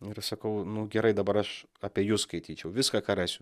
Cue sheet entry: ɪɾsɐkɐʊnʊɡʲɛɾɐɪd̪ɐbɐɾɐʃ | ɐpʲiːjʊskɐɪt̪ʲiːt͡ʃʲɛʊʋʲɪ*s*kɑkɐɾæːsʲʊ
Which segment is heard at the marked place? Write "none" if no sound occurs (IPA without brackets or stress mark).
s